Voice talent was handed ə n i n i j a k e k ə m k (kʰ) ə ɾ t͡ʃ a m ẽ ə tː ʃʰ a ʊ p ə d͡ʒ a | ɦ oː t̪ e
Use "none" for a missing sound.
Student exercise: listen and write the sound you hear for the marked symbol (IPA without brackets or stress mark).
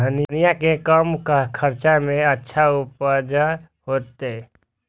kʰ